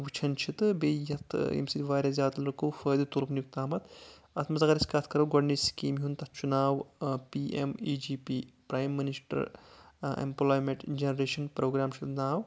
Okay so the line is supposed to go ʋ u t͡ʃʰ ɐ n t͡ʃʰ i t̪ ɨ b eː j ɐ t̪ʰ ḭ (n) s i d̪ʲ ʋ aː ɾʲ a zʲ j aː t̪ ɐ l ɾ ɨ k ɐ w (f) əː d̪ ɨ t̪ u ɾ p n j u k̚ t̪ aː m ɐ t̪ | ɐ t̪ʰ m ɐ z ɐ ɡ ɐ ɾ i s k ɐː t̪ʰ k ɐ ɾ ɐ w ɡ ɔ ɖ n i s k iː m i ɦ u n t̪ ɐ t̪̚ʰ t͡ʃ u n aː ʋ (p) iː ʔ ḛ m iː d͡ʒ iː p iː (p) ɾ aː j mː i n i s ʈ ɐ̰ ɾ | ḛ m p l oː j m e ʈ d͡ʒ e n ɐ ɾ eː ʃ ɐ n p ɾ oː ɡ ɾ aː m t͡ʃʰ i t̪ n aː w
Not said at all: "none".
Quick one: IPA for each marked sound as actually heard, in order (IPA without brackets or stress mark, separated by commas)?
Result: m, f, p, p